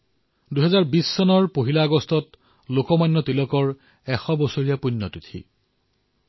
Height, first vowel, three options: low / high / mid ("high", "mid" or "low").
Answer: high